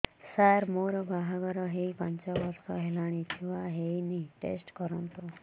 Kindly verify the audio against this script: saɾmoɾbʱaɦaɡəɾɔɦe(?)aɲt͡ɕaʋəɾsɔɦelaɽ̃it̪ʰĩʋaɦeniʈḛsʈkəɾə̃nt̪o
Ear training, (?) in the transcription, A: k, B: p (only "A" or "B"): B